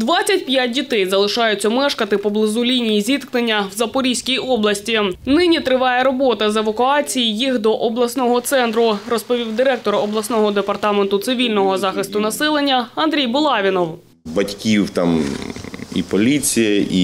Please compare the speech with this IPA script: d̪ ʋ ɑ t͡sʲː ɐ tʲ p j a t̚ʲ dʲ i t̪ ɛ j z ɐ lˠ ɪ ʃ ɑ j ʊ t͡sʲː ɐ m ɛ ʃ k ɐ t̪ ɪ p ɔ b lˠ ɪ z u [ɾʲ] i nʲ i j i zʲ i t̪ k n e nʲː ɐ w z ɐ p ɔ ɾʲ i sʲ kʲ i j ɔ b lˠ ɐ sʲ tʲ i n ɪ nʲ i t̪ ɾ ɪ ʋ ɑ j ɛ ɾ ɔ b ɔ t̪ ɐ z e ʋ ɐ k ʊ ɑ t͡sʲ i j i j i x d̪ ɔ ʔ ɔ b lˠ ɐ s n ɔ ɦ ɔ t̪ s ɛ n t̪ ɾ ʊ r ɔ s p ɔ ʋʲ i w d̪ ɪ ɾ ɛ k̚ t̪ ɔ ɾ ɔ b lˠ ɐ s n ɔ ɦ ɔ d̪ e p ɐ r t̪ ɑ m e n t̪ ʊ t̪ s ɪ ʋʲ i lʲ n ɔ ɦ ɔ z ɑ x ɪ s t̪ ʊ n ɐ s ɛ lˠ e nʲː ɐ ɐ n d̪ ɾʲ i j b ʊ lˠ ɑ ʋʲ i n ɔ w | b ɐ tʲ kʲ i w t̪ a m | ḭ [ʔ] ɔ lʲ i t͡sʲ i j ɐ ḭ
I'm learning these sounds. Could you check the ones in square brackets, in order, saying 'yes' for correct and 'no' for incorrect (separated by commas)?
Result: no, no